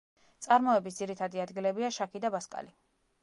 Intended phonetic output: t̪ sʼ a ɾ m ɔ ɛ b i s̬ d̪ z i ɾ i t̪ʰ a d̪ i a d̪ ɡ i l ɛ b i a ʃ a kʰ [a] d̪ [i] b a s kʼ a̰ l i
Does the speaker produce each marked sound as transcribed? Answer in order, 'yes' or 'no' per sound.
no, no

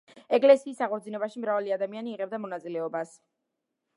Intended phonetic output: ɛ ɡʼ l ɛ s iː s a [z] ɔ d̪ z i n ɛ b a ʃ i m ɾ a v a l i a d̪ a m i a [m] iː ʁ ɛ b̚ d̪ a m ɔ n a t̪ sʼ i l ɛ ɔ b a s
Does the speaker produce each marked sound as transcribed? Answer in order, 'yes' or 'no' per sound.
no, no

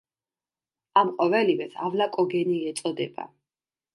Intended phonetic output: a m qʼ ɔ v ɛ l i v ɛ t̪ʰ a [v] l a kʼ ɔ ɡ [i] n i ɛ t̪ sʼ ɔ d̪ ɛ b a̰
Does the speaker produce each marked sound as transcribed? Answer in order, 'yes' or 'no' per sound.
yes, no

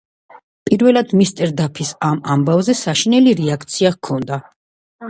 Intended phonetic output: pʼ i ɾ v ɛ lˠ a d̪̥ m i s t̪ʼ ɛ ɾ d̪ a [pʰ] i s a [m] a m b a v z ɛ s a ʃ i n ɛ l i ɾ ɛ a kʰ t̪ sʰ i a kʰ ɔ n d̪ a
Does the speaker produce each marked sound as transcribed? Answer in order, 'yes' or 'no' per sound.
yes, yes

